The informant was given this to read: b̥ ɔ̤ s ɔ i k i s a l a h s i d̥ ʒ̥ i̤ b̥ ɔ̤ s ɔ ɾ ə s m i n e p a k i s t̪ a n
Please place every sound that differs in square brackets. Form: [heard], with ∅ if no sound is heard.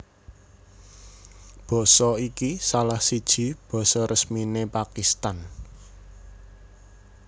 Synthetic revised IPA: b̥ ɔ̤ s ɔ i k i s a l a h s i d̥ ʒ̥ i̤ b̥ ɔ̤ s ɔ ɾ ə s m i n e p a k i s t̪ a n